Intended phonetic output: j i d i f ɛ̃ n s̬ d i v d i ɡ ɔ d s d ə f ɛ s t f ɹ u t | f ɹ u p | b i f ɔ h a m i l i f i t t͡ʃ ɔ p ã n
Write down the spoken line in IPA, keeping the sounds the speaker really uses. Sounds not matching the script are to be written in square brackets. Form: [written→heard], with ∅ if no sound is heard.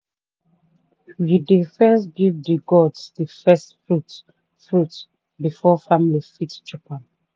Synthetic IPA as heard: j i d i f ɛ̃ n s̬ [d→ɡ] i v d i ɡ ɔ d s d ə f ɛ s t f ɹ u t | f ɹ u [p→t] | b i f ɔ [h→f] a m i l i f i t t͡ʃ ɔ p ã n